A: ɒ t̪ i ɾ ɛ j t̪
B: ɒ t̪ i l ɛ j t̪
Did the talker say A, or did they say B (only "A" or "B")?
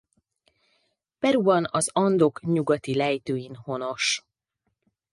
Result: B